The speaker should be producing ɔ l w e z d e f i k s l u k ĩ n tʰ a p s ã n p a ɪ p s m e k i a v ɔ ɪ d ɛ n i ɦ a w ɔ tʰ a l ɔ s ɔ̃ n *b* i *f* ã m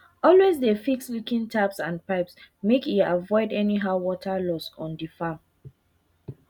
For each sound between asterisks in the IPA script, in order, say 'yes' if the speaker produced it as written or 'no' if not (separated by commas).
no, yes